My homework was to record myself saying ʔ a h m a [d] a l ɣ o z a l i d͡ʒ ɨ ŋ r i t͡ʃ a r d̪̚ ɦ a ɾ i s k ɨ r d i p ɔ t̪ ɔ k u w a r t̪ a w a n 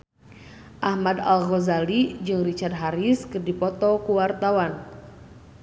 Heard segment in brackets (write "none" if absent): d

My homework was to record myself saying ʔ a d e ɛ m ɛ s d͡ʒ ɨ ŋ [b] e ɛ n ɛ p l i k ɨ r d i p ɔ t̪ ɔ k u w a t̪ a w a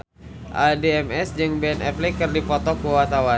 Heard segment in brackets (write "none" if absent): b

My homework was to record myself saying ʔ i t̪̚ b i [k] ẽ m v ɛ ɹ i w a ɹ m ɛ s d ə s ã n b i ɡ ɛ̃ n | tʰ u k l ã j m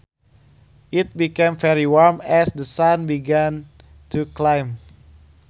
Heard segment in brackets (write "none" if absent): k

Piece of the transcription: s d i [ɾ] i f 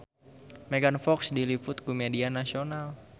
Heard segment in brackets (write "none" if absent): l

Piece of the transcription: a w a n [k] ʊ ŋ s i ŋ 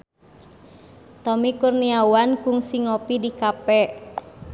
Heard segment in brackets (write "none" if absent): k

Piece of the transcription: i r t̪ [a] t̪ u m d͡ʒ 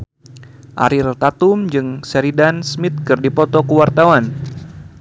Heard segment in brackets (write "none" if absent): a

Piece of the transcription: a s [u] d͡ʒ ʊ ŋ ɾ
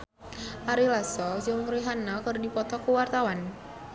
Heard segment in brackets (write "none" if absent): ɔ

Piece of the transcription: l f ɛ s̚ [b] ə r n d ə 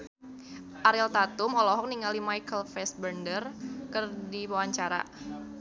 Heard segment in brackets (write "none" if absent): b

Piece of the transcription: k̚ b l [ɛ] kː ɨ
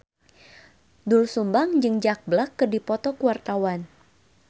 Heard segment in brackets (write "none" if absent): a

